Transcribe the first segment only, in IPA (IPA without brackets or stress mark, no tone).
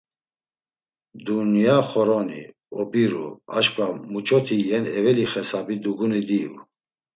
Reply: d̪